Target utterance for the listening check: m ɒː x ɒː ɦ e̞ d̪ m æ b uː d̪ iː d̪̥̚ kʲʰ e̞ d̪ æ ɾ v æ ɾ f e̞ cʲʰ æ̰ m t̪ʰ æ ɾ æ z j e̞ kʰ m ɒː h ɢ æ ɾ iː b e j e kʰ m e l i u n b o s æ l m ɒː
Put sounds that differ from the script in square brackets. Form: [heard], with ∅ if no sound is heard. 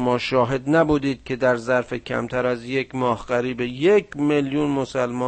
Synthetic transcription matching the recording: m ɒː [ʃ] ɒː ɦ e̞ d̪ [n] æ b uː d̪ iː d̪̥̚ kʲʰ e̞ d̪ æ ɾ [z] æ ɾ f e̞ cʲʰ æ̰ m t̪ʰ æ ɾ æ z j e̞ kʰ m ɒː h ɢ æ ɾ iː b e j e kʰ m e l [j] u n [m] o s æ l m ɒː